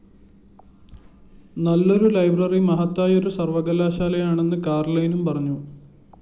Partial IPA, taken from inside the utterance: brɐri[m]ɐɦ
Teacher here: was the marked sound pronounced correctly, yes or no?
yes